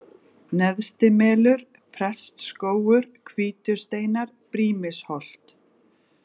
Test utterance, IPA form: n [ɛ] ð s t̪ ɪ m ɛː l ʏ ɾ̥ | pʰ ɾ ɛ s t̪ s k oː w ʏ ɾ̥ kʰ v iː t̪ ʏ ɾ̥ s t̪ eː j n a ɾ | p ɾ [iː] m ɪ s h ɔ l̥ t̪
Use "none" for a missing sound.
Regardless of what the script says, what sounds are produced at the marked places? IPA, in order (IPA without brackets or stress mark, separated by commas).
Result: ɛ, iː